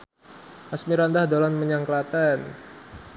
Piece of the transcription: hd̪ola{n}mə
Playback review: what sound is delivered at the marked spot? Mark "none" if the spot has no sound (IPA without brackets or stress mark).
n